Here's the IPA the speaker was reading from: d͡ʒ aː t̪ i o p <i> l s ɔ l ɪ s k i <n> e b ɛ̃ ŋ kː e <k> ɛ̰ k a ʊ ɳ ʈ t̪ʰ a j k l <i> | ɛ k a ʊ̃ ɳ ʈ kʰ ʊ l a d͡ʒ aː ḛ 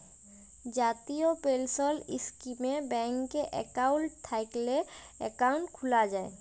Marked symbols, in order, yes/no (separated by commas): no, no, no, no